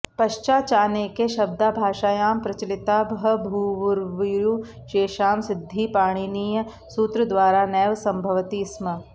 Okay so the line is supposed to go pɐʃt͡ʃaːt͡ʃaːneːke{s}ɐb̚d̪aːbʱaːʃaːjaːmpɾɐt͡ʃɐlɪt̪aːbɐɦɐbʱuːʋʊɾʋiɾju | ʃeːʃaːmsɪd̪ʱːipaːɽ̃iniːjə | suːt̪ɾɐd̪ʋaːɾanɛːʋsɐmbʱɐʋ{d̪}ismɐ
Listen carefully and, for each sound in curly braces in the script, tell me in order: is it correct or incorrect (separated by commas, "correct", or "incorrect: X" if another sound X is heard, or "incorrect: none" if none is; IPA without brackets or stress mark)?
incorrect: ʃ, incorrect: t̪